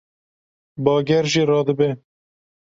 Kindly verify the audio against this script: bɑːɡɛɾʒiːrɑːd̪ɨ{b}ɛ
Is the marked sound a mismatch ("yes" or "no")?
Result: no